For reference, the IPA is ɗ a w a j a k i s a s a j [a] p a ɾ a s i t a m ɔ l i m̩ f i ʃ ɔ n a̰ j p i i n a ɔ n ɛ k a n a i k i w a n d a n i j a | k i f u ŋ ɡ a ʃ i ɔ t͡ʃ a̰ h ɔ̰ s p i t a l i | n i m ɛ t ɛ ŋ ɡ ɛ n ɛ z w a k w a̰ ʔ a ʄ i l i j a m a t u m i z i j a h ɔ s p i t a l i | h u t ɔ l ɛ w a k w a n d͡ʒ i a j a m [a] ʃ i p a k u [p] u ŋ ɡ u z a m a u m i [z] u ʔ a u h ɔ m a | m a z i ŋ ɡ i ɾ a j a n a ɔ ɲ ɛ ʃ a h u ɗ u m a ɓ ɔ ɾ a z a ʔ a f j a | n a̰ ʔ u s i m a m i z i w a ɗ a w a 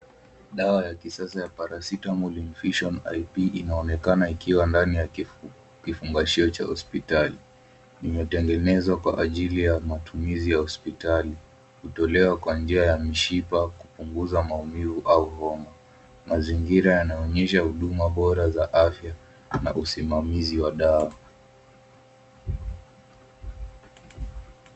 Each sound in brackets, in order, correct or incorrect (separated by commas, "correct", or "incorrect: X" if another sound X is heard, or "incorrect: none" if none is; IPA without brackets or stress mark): correct, incorrect: i, correct, incorrect: v